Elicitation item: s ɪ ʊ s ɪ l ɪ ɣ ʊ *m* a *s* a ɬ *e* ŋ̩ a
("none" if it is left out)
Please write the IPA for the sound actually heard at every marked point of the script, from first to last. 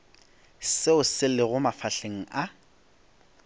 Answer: m, f, e

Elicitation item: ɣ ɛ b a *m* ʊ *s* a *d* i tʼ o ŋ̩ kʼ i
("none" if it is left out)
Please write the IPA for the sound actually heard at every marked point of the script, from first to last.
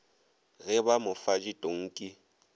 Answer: m, f, d͡ʒ

